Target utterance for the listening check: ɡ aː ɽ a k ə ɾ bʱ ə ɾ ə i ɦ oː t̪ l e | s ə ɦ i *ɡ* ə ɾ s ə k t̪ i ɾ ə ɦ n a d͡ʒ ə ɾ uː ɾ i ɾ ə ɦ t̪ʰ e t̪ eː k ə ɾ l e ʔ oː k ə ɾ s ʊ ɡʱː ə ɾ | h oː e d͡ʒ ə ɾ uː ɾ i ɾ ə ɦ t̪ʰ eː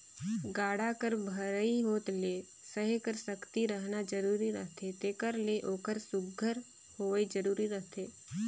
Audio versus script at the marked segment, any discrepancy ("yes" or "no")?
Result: yes